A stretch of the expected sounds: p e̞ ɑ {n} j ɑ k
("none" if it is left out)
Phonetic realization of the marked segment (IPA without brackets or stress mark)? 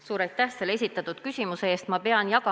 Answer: n